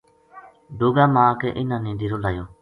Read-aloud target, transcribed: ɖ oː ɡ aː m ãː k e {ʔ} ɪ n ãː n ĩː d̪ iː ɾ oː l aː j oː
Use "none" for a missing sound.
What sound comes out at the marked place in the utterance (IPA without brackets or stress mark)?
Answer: ʔ